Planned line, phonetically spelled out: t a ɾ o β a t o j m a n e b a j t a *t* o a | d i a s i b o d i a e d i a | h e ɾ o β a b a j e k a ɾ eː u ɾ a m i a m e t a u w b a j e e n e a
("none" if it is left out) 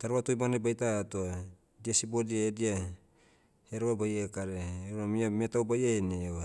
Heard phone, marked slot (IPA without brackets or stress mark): t